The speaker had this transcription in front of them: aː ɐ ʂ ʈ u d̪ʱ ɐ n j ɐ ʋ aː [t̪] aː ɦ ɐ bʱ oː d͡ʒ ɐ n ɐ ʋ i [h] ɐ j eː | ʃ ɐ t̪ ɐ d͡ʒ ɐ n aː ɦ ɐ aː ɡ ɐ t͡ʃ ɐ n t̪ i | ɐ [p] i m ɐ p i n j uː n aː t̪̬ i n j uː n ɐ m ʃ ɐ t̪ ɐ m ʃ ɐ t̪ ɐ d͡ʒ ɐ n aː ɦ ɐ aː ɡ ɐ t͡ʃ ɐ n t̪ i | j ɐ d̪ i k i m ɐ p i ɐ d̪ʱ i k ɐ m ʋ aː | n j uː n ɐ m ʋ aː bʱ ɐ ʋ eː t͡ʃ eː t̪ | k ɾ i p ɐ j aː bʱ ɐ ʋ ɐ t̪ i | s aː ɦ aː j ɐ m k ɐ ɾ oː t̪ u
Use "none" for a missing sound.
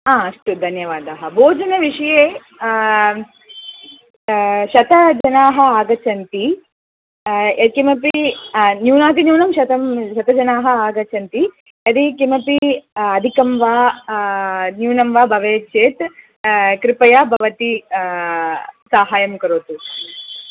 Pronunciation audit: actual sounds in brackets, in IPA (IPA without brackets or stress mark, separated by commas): d̪, ʂ, k